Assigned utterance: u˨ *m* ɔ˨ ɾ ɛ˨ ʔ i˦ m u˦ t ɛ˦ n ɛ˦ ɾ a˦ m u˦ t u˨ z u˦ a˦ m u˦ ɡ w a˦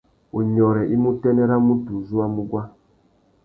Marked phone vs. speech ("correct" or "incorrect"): incorrect